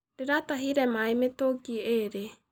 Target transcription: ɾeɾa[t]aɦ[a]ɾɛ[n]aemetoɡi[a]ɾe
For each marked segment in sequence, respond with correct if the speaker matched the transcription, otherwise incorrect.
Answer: correct, incorrect: i, incorrect: m, incorrect: e

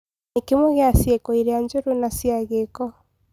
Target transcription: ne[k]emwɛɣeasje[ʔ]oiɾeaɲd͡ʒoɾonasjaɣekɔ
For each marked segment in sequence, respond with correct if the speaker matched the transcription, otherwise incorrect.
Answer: correct, incorrect: k

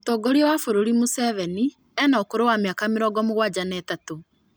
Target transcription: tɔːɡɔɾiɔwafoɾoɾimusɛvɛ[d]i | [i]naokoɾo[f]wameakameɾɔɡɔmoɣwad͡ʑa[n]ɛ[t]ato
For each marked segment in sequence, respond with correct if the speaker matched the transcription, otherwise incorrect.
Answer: incorrect: n, incorrect: ɛ, incorrect: none, correct, correct

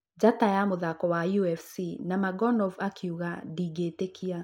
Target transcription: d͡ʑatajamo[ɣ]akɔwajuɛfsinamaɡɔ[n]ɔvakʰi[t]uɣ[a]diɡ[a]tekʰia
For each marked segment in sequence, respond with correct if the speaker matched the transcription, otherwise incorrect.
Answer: incorrect: ð, correct, incorrect: none, correct, incorrect: e

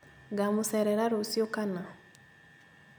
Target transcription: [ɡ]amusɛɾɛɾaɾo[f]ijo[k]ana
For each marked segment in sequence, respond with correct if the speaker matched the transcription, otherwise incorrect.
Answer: correct, incorrect: s, correct

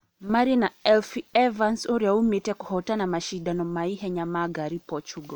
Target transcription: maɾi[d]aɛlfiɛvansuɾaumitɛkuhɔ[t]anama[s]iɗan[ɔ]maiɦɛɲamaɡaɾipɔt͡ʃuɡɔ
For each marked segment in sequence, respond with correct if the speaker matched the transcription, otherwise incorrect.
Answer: incorrect: n, correct, incorrect: ʃ, correct

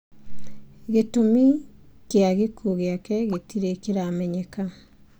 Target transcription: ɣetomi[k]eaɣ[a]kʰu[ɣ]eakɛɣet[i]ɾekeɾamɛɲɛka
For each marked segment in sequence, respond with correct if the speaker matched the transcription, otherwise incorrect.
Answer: correct, incorrect: e, correct, correct

